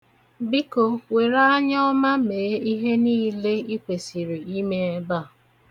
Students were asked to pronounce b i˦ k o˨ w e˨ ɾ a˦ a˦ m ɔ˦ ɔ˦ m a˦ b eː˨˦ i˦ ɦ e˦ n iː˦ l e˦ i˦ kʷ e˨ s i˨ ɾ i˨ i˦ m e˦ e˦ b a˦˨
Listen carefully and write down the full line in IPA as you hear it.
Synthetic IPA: b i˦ k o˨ w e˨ ɾ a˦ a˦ ɲ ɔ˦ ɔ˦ m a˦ m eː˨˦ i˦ ɦ e˦ n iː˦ l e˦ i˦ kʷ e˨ s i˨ ɾ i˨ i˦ m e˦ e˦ b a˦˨